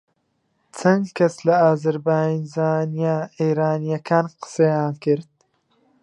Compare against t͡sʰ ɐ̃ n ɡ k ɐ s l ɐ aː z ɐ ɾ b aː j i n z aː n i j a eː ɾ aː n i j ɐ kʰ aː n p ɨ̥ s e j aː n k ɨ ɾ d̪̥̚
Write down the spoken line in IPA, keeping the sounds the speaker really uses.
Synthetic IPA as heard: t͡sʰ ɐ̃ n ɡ k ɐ s l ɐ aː z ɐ ɾ b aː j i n z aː n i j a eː ɾ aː n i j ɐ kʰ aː n q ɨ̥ s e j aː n k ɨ ɾ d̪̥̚